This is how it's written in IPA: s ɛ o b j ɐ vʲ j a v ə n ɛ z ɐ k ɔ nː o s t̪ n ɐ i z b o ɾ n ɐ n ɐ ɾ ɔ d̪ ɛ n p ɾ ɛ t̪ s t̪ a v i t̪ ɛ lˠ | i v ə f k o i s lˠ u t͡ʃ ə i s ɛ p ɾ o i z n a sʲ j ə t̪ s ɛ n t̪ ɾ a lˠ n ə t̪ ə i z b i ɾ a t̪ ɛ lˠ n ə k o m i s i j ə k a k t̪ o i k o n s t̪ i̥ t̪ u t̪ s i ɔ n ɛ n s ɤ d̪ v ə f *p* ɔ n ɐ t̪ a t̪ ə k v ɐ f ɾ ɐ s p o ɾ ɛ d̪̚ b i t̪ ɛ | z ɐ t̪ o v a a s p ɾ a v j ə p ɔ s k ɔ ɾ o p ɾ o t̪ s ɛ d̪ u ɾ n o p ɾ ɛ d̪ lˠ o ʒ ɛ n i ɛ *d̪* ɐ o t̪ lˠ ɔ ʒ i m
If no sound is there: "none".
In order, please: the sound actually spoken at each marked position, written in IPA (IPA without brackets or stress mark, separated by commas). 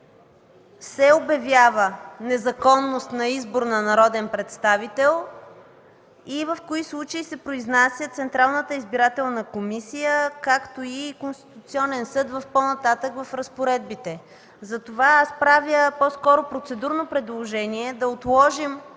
p, d̪